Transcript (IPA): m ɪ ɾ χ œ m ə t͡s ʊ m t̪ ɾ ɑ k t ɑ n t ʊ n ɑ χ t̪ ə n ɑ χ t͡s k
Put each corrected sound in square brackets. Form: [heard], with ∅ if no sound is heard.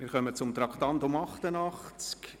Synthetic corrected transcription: m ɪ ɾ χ œ m ə t͡s ʊ m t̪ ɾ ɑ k t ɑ n t ʊ [m] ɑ χ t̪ ə n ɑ χ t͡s k